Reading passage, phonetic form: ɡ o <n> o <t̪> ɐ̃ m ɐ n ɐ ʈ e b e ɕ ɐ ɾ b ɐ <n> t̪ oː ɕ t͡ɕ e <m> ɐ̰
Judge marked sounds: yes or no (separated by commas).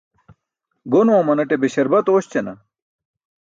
yes, no, no, no